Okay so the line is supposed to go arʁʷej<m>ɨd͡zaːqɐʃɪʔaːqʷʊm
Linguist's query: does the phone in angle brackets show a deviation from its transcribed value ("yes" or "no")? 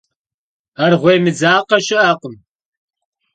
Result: no